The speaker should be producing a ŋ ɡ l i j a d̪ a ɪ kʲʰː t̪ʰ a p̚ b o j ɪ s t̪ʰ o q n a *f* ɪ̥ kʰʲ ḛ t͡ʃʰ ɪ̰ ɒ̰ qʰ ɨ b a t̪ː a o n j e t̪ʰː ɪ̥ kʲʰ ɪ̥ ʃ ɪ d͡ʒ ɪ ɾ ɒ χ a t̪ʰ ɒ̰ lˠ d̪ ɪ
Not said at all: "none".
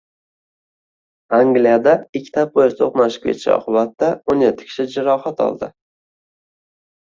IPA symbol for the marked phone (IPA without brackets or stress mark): ʃ